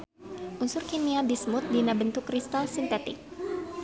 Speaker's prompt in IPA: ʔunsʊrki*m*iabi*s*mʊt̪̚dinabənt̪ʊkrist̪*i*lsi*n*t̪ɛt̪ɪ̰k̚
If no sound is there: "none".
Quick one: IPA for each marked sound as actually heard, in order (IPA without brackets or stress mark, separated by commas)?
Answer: n, s, a, n